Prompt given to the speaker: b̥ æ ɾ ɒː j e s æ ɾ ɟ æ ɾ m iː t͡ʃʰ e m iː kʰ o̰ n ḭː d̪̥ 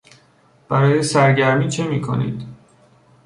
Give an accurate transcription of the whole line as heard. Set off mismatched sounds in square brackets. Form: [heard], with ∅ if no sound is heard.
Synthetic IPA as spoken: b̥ æ ɾ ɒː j e s æ ɾ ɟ æ ɾ m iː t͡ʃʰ e m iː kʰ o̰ n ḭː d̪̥